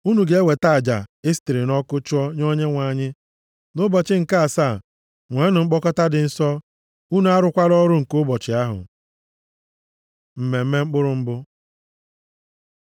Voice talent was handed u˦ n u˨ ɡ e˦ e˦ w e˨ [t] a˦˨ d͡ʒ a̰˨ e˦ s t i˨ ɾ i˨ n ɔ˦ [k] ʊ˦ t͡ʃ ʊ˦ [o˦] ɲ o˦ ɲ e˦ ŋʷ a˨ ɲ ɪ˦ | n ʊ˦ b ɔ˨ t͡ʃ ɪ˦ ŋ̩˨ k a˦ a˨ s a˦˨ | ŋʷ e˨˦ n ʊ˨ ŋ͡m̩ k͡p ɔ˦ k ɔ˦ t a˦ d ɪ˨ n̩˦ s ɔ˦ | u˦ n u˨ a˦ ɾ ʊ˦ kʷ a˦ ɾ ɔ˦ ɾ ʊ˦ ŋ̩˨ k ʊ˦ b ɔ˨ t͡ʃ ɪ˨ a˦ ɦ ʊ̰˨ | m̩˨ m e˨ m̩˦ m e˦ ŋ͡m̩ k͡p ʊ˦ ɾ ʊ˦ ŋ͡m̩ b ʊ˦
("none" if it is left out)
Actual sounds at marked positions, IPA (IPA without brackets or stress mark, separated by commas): t, k, ɔ˦